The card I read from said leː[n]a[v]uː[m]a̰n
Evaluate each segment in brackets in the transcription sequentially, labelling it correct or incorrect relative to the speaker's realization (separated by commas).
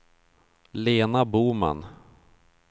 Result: correct, incorrect, correct